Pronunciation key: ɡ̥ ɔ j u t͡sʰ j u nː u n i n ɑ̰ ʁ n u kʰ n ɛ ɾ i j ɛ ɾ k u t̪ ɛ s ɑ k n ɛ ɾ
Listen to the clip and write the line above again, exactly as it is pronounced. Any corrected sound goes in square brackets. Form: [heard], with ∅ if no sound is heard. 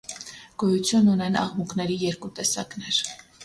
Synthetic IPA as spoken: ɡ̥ ɔ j u t͡sʰ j u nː u n [ɛ] n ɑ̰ ʁ [m] u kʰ n ɛ ɾ i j ɛ ɾ k u t̪ ɛ s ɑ k n ɛ ɾ

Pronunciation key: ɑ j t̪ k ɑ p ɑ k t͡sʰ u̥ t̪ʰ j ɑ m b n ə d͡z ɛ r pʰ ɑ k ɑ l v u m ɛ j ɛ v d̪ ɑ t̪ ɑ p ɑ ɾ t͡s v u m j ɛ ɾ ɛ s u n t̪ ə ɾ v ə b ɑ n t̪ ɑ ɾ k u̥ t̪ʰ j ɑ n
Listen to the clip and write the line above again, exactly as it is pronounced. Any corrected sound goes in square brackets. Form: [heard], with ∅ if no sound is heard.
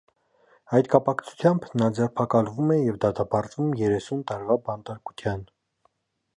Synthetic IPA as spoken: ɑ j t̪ k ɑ p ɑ k t͡sʰ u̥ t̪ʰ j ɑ m b n [ɑ] d͡z ɛ r pʰ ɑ k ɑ l v u m ɛ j ɛ v d̪ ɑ t̪ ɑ p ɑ ɾ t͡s v u m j ɛ ɾ ɛ s u n t̪ [ɑ] ɾ v [ɑ] b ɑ n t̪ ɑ ɾ k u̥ t̪ʰ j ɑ n

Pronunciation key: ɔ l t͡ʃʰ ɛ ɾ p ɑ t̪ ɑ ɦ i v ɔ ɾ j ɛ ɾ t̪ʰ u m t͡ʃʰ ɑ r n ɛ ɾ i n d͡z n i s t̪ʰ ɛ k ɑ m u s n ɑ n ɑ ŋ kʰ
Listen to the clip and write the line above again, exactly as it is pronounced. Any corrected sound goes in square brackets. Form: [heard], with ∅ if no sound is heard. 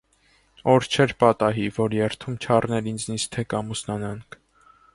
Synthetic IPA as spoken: ɔ [ɾ] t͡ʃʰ ɛ ɾ p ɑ t̪ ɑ ɦ i v ɔ ɾ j ɛ ɾ t̪ʰ u m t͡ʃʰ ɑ r n ɛ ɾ i n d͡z n i s t̪ʰ ɛ k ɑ m u s n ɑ n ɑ ŋ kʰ

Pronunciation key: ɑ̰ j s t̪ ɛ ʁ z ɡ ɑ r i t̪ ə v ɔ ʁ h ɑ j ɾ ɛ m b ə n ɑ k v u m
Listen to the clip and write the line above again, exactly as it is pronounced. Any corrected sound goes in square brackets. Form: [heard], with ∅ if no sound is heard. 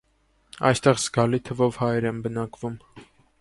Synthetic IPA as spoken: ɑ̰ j s t̪ ɛ ʁ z ɡ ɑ [l] i [t̪ʰ] ə v ɔ [v] h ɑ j ɾ ɛ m b ə n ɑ k v u m

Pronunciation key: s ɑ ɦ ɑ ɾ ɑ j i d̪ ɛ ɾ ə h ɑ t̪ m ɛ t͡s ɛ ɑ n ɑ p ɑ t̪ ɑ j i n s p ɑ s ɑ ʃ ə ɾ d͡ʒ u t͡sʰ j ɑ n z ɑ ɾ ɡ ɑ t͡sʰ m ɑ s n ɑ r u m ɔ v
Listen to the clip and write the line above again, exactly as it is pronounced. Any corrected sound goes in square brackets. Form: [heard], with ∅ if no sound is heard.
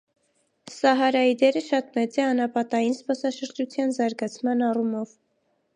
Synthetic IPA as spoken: s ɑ ɦ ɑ ɾ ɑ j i d̪ ɛ ɾ ə [ʃ] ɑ t̪ m ɛ t͡s ɛ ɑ n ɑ p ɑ t̪ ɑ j i n s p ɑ s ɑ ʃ ə ɾ d͡ʒ u t͡sʰ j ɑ n z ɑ ɾ ɡ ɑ t͡sʰ m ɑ [∅] n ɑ r u m ɔ v

